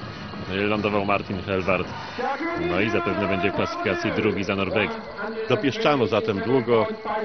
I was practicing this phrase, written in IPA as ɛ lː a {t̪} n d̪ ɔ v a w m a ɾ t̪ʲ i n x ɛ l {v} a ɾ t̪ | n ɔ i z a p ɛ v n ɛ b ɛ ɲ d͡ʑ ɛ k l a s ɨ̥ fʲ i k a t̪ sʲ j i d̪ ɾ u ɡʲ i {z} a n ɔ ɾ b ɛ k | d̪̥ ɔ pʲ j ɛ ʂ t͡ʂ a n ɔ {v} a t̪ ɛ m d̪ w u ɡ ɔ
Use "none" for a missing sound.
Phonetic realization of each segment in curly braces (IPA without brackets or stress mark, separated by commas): none, v, z, z